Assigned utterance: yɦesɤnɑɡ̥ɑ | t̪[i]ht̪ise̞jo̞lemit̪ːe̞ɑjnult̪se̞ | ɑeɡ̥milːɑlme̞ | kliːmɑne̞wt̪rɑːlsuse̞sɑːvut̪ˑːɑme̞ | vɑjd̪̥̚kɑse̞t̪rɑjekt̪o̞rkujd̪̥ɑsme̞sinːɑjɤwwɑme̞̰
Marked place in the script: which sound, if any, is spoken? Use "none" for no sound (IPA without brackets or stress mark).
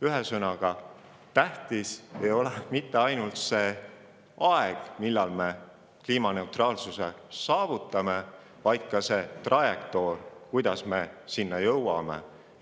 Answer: æ